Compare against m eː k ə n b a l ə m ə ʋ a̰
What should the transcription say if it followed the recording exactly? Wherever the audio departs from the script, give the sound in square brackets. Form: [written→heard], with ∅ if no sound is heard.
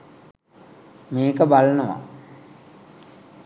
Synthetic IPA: m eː k ə [n→∅] b a l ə [m→n] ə ʋ a̰